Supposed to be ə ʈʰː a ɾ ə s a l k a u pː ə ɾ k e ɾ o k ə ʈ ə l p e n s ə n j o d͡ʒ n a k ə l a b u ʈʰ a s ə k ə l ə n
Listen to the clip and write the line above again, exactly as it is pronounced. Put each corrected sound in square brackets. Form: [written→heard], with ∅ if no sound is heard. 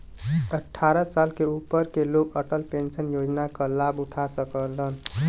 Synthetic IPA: ə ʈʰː a ɾ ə s a l k [a→e] u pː ə ɾ k e [ɾ→l] o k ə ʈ ə l p e n s ə n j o d͡ʒ n a k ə l a b u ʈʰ a s ə k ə l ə n